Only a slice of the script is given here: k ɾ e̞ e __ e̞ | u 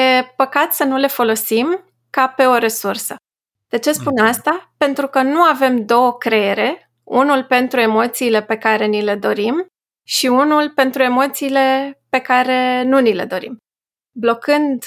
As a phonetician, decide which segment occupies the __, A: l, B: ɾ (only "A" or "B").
B